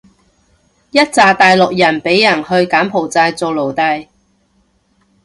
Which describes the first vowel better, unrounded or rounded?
unrounded